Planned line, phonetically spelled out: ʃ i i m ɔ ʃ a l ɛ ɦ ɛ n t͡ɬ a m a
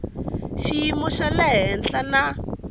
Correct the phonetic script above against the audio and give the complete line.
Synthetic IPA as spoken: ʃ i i m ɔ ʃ a l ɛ ɦ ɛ n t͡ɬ a n a